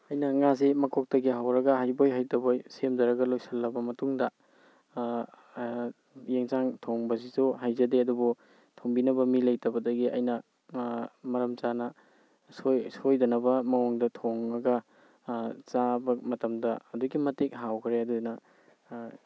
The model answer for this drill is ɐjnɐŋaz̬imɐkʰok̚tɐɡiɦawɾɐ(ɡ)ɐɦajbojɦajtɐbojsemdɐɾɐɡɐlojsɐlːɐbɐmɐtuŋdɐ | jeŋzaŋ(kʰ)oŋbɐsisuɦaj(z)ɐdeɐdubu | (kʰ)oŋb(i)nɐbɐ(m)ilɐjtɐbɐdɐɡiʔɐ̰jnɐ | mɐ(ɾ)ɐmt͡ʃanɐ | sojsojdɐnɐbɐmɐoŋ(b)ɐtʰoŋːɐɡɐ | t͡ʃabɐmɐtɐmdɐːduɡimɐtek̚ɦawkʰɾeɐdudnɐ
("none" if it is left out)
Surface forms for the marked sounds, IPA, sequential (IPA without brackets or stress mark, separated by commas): ɡ, tʰ, z, tʰ, i, m, ɾ, d